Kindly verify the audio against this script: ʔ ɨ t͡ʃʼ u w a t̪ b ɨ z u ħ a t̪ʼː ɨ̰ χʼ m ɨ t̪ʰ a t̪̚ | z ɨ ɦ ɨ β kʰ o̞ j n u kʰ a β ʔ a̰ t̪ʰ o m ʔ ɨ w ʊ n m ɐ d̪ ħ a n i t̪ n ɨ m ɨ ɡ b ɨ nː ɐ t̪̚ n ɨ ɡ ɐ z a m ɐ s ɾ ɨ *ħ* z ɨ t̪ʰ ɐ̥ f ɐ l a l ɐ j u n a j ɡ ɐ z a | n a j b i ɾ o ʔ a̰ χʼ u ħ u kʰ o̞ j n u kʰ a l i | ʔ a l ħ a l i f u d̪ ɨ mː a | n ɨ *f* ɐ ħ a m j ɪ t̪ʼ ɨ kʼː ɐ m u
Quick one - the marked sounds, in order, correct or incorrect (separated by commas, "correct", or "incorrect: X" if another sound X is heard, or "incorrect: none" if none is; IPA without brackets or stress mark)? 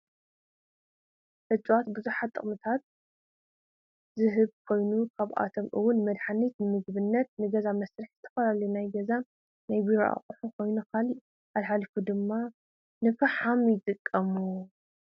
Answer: correct, correct